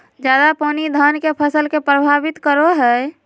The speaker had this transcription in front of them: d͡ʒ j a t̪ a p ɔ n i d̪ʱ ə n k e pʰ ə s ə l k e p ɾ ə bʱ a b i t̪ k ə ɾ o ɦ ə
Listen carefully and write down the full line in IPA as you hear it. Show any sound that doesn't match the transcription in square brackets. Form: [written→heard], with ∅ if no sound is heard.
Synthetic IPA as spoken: d͡ʒ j a [t̪→d̪] a p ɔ n i d̪ʱ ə n k e pʰ ə s ə l k e p ɾ ə bʱ a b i t̪ k ə ɾ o ɦ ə

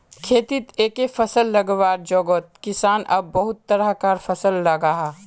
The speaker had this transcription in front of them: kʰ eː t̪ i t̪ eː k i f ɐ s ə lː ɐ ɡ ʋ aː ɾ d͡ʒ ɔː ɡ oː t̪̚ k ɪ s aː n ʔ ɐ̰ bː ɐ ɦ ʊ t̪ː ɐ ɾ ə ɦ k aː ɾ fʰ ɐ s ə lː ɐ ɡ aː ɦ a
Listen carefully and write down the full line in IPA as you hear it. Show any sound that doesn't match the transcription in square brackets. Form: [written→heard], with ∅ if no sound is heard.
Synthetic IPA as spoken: kʰ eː t̪ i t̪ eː k [i→e] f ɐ s ə lː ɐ ɡ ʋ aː ɾ d͡ʒ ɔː ɡ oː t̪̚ k ɪ s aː n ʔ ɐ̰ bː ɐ ɦ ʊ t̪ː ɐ ɾ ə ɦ k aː ɾ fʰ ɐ s ə lː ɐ ɡ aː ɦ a

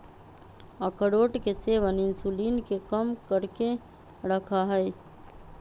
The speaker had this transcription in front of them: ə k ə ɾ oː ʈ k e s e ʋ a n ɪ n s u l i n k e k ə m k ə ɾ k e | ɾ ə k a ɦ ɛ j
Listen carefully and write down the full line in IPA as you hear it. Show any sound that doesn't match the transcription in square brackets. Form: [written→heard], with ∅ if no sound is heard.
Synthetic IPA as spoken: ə k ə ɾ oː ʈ k e s e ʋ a n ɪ n s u l i n k e k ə m k ə ɾ k e | ɾ ə [k→kʰ] a ɦ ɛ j

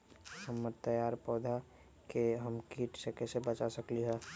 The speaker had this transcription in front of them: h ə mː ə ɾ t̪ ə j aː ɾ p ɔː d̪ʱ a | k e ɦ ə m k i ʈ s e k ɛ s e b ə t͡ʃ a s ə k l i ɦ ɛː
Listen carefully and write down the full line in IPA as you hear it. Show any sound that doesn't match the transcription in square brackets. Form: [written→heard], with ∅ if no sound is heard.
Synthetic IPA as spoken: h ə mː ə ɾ t̪ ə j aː ɾ p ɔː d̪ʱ a | k e ɦ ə m k i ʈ s e k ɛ s e b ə t͡ʃ a s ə k l i ɦ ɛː

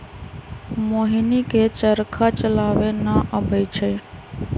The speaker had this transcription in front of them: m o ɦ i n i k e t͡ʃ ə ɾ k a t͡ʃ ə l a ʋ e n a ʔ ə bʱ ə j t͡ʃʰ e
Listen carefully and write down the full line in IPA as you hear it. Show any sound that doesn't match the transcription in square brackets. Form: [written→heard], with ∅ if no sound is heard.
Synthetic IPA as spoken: m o ɦ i n i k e t͡ʃ ə ɾ [k→kʰ] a t͡ʃ ə l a ʋ e n a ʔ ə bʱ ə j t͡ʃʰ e

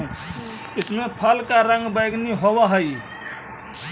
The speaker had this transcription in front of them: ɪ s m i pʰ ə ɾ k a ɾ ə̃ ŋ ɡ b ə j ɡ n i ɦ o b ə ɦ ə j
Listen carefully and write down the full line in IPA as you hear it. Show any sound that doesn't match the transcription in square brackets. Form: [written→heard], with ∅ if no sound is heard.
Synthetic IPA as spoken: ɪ s m [i→e] pʰ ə [ɾ→l] k a ɾ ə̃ ŋ ɡ b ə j ɡ n i ɦ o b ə ɦ ə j

